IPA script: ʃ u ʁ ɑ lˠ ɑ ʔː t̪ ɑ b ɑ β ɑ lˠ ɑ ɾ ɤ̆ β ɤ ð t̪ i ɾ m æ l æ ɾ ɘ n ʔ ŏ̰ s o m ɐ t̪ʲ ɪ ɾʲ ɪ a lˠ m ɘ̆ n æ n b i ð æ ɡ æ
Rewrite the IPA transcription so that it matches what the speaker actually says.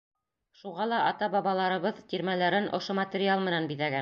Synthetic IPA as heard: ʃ u ʁ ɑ lˠ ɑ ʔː t̪ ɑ b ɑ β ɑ lˠ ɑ ɾ ɤ̆ β ɤ ð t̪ i ɾ m æ l æ ɾ ɘ n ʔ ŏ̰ ʃ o m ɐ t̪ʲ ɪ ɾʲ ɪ a lˠ m ɘ̆ n æ n b i ð æ ɡ æ